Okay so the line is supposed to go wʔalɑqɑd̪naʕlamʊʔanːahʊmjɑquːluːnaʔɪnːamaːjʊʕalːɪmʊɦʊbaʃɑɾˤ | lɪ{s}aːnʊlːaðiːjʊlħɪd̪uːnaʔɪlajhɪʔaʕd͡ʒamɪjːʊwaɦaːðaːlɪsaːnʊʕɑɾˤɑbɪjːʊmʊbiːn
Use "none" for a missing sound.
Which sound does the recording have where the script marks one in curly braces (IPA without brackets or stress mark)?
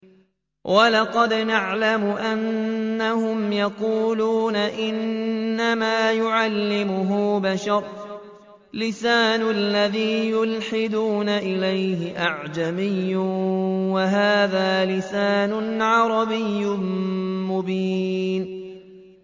s